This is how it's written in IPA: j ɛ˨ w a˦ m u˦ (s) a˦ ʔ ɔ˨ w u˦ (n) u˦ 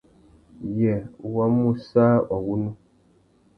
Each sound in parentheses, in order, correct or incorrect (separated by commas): correct, correct